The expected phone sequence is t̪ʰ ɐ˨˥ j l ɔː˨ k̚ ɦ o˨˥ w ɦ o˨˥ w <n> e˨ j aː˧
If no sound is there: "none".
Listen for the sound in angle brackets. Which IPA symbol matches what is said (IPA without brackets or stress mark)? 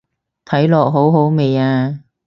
m